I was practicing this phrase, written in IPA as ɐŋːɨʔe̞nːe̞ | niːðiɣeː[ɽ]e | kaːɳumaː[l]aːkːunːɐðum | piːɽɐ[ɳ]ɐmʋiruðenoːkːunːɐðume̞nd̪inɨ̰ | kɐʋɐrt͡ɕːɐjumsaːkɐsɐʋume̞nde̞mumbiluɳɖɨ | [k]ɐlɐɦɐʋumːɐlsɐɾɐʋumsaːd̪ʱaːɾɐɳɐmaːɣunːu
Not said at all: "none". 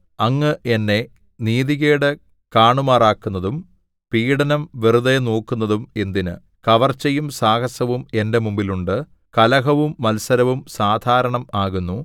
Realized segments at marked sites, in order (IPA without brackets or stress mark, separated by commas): ɽ, r, n, k